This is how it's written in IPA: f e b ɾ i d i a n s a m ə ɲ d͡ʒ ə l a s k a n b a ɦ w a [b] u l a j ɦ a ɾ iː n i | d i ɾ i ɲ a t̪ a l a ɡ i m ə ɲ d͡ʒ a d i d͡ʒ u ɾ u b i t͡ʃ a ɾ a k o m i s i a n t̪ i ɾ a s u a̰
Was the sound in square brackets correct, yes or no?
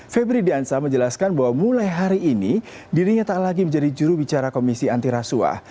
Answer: no